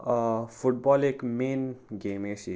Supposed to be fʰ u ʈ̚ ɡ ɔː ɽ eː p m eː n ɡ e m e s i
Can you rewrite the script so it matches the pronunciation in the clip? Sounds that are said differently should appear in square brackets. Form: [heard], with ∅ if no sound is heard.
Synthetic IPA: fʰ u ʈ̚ [b] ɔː [l] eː [k] m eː n ɡ e m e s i